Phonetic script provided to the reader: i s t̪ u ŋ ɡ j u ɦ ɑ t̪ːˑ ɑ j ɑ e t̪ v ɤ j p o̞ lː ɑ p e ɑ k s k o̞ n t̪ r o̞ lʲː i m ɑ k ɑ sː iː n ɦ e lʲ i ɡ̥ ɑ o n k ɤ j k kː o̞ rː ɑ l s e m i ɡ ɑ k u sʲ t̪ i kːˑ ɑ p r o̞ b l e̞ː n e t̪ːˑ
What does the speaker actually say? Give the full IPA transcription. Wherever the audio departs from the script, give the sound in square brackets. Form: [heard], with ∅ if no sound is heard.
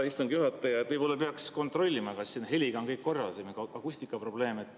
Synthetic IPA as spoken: i s t̪ u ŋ ɡ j u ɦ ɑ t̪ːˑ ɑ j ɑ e t̪ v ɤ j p o̞ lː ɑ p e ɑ k s k o̞ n t̪ r o̞ lʲː i m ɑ k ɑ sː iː n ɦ e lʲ i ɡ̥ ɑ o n k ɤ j k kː o̞ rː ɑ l s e m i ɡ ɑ k u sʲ t̪ i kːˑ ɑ p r o̞ b l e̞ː [m] e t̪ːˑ